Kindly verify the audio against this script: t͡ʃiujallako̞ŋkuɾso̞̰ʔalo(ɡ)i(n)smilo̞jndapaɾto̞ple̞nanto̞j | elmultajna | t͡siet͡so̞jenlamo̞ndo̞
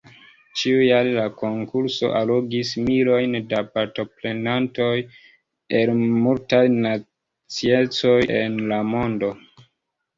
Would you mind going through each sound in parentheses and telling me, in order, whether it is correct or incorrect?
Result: correct, incorrect: none

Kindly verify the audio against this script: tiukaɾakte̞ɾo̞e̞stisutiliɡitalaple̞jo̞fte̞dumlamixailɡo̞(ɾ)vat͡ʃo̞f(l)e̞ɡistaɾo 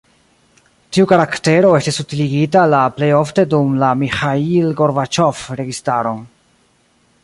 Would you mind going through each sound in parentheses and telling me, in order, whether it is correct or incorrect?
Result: correct, incorrect: ɾ

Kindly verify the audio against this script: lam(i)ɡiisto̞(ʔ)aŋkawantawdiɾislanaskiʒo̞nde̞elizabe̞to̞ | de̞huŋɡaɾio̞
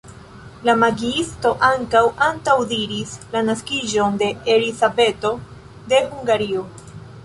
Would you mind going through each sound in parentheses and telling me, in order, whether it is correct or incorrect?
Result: incorrect: a, correct

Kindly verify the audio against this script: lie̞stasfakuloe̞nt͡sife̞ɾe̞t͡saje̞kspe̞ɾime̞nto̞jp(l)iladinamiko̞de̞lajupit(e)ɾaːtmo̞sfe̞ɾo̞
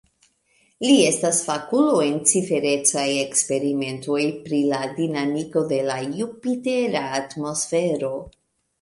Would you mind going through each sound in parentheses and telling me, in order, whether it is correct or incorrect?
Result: incorrect: ɾ, correct

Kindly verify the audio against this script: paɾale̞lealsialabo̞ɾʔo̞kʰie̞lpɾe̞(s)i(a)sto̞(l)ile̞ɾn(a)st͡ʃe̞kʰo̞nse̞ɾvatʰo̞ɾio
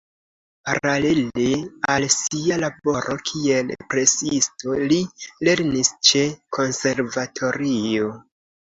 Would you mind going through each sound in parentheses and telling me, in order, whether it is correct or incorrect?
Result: correct, incorrect: i, correct, incorrect: i

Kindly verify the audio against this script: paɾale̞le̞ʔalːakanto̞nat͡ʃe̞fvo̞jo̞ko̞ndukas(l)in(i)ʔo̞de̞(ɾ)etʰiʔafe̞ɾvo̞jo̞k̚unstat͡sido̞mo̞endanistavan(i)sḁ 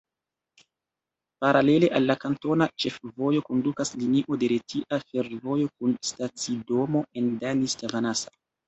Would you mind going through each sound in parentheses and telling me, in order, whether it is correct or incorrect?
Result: correct, correct, correct, incorrect: a

